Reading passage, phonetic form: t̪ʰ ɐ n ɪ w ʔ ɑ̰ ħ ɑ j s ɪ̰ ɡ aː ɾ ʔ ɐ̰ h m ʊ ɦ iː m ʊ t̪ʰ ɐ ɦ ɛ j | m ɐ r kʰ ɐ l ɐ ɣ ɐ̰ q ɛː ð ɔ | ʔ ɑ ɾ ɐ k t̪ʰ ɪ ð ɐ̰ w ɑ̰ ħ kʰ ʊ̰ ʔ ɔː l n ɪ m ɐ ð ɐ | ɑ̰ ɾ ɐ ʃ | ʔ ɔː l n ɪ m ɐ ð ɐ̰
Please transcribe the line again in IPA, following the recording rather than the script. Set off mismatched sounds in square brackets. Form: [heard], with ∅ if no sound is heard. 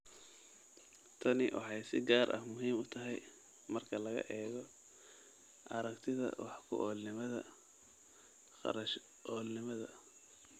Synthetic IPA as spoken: t̪ʰ ɐ n ɪ w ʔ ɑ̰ ħ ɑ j s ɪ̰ ɡ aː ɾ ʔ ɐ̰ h m ʊ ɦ iː m ʊ t̪ʰ ɐ ɦ ɛ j | m ɐ r kʰ ɐ l ɐ ɣ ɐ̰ [ʔ] ɛː [ɣ] ɔ | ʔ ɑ ɾ ɐ k t̪ʰ ɪ ð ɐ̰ w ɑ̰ ħ kʰ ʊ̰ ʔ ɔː l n ɪ m ɐ ð ɐ | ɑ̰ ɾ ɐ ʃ | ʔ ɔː l n ɪ m ɐ ð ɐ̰